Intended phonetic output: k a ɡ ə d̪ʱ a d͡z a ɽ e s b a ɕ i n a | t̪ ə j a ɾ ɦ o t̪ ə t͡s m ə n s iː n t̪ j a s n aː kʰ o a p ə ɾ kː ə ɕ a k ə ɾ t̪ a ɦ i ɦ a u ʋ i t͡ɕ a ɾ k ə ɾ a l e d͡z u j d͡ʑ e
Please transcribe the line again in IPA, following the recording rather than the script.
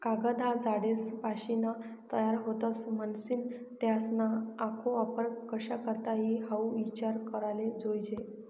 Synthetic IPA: k a ɡ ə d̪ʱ a d͡z a ɽ e s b a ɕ i n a | t̪ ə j a ɾ ɦ o t̪ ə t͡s m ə n s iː n t̪ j a s n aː kʰ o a p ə ɾ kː ə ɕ a k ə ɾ t̪ a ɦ i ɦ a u ʋ i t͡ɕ a ɾ k ə ɾ a l e d͡z o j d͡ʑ e